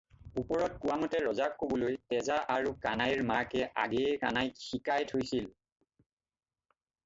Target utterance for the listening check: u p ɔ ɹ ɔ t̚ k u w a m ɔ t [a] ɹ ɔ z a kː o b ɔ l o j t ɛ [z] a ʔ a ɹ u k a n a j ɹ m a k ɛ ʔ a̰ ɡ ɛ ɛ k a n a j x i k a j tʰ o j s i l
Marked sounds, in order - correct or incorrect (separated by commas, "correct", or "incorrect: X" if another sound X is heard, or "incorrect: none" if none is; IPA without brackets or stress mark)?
incorrect: ɛ, correct